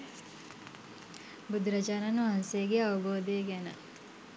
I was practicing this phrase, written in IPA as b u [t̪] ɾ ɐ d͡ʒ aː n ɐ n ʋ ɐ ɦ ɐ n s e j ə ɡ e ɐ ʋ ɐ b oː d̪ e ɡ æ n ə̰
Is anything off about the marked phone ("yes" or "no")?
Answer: yes